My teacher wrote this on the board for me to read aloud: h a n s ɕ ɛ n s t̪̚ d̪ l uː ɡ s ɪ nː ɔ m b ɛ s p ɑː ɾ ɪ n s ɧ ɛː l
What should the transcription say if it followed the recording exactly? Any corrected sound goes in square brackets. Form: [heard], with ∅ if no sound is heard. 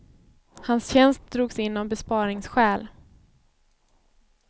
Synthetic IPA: h a n s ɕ ɛ n s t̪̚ d̪ [ɾ] uː ɡ s ɪ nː ɔ m b ɛ s p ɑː ɾ ɪ [ŋ] s ɧ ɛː l